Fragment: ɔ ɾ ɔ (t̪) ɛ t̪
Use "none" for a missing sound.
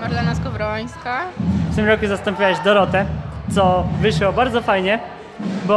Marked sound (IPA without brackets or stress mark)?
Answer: t̪